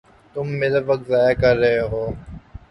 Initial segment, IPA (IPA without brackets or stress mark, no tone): t̪